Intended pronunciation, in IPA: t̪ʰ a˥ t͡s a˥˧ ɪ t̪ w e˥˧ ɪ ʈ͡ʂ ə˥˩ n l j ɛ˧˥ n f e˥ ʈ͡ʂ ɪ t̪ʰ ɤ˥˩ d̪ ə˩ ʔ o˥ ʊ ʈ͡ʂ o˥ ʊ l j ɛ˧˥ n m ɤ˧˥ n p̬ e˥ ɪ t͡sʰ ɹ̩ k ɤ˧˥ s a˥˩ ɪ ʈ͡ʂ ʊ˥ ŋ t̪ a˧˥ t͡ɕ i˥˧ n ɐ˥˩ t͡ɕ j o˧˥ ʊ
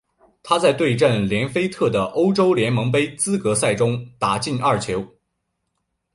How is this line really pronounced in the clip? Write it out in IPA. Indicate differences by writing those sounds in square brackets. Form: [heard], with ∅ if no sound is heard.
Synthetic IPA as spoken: t̪ʰ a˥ t͡s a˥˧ ɪ t̪ w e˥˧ ɪ ʈ͡ʂ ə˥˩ n l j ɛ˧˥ n f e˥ [∅] ɪ t̪ʰ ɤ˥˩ d̪ ə˩ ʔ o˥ ʊ ʈ͡ʂ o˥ ʊ l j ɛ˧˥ n m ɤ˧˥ [ŋ] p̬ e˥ ɪ [t͡s] ɹ̩ k ɤ˧˥ s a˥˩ ɪ ʈ͡ʂ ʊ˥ ŋ t̪ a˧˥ t͡ɕ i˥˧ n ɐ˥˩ [t͡ɕʰ] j o˧˥ ʊ